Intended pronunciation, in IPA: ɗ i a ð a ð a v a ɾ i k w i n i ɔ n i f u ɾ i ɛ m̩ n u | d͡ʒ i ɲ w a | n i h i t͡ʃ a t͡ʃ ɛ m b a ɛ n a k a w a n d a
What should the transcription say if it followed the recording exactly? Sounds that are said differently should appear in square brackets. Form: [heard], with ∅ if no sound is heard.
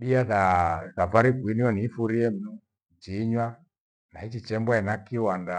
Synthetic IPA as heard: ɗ i a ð a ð a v a ɾ i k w i n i ɔ n i f u ɾ i ɛ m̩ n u | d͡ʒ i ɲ w a | n [a] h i t͡ʃ [i] t͡ʃ ɛ m b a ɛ n a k [i] w a n d a